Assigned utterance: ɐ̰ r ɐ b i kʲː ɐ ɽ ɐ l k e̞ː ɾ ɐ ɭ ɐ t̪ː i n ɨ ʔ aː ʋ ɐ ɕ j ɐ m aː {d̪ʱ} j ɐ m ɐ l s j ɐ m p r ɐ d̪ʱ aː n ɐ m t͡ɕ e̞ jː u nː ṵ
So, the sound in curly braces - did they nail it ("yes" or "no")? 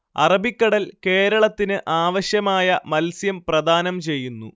no